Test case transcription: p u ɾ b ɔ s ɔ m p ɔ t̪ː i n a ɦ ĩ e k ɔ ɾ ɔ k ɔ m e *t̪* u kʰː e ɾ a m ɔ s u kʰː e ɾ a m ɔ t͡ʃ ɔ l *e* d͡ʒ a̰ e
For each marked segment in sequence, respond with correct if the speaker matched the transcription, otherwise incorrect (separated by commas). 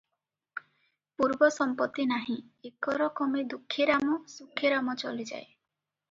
incorrect, incorrect